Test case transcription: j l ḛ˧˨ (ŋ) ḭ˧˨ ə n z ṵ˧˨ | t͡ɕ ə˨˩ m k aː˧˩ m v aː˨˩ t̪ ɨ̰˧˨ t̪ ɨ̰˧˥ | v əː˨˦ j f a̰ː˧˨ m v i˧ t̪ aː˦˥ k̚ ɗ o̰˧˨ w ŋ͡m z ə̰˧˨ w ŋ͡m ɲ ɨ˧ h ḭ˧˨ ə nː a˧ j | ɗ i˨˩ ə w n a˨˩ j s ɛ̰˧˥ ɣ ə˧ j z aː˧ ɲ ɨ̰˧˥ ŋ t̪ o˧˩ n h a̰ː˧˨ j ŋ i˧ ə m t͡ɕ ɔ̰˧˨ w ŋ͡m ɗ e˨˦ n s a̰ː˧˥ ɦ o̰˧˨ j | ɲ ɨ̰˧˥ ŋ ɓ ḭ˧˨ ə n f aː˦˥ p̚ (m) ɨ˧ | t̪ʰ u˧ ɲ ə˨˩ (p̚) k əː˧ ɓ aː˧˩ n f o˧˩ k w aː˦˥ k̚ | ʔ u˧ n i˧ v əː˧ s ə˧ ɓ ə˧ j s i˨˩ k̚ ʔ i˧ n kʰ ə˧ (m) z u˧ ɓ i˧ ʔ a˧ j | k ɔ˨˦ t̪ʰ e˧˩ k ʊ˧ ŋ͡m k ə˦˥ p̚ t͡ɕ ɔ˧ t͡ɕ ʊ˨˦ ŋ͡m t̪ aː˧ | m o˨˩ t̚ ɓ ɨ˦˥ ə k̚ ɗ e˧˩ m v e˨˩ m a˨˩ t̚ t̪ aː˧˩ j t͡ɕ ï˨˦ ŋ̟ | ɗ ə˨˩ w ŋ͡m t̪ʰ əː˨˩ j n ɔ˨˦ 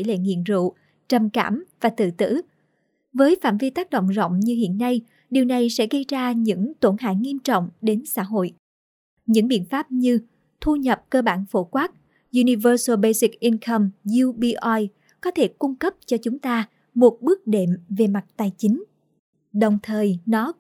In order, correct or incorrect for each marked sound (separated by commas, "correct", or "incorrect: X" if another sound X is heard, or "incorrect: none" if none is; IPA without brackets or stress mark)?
correct, incorrect: ɲ, correct, correct